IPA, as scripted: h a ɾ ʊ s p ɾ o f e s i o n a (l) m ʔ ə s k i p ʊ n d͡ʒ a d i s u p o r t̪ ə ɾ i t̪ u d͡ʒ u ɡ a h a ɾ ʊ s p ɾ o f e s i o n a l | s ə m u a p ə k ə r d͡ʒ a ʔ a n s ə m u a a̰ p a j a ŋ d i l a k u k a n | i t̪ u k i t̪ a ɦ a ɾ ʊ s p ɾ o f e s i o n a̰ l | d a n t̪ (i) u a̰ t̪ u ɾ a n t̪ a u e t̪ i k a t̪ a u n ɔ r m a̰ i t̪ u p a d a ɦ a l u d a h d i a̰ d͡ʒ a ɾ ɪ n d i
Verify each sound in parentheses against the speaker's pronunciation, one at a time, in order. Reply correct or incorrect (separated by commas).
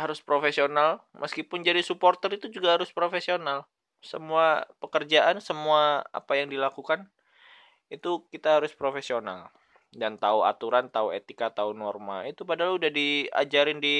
correct, incorrect